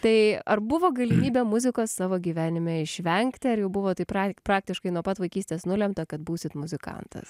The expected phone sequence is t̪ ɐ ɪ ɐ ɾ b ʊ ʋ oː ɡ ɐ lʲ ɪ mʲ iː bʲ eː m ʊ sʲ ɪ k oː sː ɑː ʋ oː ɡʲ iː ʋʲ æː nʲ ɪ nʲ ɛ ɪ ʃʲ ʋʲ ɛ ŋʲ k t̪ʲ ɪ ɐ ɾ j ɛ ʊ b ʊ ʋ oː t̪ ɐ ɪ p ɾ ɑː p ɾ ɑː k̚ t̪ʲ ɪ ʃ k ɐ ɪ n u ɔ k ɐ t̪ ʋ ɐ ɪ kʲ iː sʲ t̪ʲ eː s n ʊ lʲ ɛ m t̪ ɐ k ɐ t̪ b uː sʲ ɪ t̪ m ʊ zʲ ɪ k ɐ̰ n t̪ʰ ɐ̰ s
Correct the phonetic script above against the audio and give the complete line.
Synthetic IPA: t̪ ɐ ɪ ɐ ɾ b ʊ ʋ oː ɡ ɐ lʲ ɪ mʲ iː bʲ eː m ʊ zʲ ɪ k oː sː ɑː ʋ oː ɡʲ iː ʋʲ æː nʲ ɪ mʲ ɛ ɪ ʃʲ ʋʲ ɛ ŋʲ k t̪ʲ ɪ ɐ ɾ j ɛ ʊ b ʊ ʋ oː t̪ ɐ ɪ p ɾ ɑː p ɾ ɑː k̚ t̪ʲ ɪ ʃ k ɐ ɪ n u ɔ p ɐ t̪ ʋ ɐ ɪ kʲ iː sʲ t̪ʲ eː s n ʊ lʲ ɛ m t̪ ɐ k ɐ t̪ b uː sʲ ɪ t̪ m ʊ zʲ ɪ k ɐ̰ n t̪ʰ ɐ̰ s